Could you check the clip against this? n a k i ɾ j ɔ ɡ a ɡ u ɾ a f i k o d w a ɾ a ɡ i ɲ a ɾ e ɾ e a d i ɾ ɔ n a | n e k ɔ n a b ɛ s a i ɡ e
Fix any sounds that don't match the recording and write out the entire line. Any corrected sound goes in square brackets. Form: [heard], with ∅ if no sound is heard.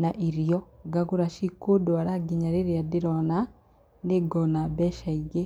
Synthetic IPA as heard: n a [ʔ] i ɾ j ɔ ɡ a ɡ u ɾ a [ʃ] i k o d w a ɾ a ɡ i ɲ a ɾ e ɾ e a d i ɾ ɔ n a | n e [ɡ] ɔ n a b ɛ [ʃ] a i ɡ e

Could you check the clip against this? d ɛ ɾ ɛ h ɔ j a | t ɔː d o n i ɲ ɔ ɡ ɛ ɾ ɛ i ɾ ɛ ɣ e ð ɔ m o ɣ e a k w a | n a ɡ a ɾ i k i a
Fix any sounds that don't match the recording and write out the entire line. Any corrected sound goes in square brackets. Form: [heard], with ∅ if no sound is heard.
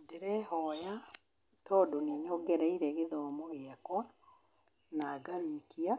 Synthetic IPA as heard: d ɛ ɾ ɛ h ɔ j a | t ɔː d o n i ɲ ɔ ɡ ɛ ɾ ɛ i ɾ ɛ ɣ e ð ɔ m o ɣ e a k w a | n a ɡ a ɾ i k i a

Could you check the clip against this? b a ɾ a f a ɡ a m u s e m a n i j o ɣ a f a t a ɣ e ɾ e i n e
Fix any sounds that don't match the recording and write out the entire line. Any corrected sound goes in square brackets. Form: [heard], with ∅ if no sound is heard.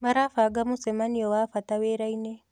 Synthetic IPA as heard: [m] a ɾ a f a ɡ a m u s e m a n i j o [w] a f a t a [w] e ɾ [a] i n e

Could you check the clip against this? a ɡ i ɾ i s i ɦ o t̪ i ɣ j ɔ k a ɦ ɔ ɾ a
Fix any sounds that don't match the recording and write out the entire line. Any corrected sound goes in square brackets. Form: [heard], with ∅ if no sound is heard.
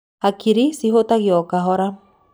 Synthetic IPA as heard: a [k] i ɾ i s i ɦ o t̪ [a] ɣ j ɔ k a ɦ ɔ ɾ a

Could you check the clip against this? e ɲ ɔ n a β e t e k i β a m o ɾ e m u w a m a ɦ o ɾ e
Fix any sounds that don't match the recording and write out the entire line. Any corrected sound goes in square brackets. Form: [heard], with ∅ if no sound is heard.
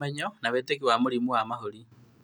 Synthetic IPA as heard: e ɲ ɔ n a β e t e k i [w] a m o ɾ [i] m u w a m a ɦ o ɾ [i]

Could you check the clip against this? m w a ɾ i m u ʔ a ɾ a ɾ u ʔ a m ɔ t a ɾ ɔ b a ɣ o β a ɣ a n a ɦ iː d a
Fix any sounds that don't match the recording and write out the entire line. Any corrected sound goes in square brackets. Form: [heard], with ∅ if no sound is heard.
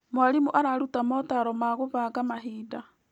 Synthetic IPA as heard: m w a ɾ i m u ʔ a ɾ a ɾ u [t] a m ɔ t a ɾ ɔ [m] a ɣ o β a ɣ a [m] a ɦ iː d a

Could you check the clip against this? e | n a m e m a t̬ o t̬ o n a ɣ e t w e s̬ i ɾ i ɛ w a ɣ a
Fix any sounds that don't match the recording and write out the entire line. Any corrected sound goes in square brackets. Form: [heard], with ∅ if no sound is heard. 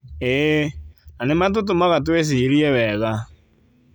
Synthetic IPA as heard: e | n a [n] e m a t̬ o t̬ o [m] a ɣ [a] t w e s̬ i ɾ i ɛ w [ɛ] ɣ a

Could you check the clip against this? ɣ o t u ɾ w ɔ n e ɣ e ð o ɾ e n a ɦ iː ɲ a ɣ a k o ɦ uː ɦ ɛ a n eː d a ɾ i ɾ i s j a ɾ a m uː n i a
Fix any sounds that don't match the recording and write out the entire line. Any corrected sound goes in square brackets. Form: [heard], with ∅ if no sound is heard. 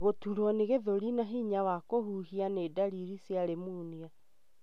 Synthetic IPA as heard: ɣ o t u ɾ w ɔ n e ɣ e ð o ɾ [i] n a ɦ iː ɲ a [w] a k o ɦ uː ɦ [i] a n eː d a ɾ i ɾ i s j a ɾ [e] m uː n i a

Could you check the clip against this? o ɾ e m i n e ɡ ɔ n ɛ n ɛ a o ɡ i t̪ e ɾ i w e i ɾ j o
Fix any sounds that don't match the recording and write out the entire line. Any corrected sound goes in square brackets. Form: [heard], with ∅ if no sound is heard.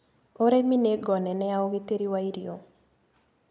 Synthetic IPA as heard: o ɾ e m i n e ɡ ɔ n ɛ n ɛ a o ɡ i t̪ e ɾ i w [a] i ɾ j o

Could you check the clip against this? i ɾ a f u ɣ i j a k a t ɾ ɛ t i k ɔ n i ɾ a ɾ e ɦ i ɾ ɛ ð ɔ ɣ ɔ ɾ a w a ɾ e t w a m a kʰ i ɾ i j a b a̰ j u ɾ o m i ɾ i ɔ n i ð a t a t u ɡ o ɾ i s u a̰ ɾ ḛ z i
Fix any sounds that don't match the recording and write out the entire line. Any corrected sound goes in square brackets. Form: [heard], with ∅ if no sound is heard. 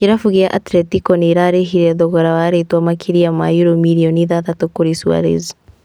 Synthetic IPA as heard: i ɾ a f u ɣ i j a [ʔ] a t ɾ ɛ t i k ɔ n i ɾ a ɾ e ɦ i ɾ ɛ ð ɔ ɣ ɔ ɾ a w a ɾ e t w a m a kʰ i ɾ i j a [m] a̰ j u ɾ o m i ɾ i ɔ n i ð a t a t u [k] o ɾ i s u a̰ ɾ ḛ z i

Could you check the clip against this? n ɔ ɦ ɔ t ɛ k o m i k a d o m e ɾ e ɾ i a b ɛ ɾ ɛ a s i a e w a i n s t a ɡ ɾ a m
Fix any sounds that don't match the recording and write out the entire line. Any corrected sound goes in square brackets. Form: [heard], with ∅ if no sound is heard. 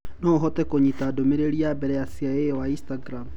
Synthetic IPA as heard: n ɔ ɦ ɔ t ɛ k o [ɲ] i [t] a d o m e ɾ e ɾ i a b ɛ ɾ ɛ a s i a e w a i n s t a ɡ ɾ a m

